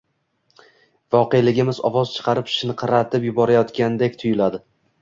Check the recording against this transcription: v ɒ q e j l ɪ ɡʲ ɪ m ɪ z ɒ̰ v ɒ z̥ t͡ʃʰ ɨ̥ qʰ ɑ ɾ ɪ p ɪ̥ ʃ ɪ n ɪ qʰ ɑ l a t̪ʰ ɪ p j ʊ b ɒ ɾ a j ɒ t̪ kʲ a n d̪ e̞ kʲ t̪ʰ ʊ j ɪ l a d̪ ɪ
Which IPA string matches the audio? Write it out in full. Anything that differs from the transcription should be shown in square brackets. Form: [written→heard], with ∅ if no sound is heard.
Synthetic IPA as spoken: v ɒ q e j l ɪ ɡʲ ɪ m ɪ z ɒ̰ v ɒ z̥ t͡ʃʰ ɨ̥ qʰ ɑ ɾ ɪ p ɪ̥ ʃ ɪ n ɪ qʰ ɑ [l→ɾ] a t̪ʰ ɪ p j ʊ b ɒ ɾ a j ɒ t̪ kʲ a n d̪ e̞ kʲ t̪ʰ ʊ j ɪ l a d̪ ɪ